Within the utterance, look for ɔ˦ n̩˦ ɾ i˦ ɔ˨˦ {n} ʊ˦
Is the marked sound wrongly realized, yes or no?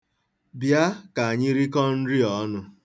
no